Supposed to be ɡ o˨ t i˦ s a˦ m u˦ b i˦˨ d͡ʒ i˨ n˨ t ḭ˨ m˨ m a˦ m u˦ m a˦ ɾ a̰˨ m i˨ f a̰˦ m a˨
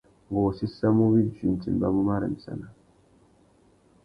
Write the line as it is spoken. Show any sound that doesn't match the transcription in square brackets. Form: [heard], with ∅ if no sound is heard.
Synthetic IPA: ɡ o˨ [s] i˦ s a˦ m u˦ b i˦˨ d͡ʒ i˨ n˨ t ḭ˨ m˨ [b] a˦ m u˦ m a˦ ɾ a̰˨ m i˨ [s] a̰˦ [n] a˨